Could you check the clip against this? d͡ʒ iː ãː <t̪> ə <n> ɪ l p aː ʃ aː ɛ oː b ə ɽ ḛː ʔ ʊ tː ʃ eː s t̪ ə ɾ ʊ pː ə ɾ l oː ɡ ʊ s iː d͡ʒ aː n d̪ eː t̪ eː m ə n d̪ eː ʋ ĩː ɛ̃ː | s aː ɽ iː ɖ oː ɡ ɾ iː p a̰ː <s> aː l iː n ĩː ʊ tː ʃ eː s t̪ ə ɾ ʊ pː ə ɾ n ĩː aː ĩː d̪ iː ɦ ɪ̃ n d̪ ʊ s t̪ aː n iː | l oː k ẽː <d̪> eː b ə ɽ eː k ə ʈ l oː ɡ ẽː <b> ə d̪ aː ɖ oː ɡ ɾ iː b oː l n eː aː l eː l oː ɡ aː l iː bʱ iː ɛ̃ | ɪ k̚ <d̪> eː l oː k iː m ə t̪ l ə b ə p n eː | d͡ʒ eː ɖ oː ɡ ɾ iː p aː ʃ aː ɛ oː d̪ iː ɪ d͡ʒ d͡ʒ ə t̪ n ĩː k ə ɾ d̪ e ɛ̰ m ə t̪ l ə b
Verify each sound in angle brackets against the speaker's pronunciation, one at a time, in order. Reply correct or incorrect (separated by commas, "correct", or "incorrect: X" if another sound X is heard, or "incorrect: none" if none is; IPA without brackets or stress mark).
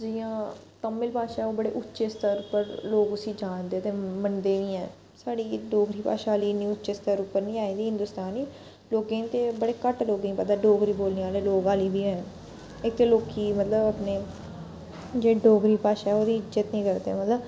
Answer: correct, incorrect: m, incorrect: ʃ, incorrect: t̪, incorrect: p, incorrect: t̪